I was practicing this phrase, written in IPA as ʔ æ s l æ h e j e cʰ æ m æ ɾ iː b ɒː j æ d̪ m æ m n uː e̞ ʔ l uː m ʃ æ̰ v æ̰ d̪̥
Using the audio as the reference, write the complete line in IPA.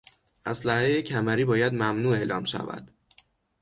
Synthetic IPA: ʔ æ s l æ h e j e cʰ æ m æ ɾ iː b ɒː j æ d̪ m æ m n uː e̞ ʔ l ɒː m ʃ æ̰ v æ̰ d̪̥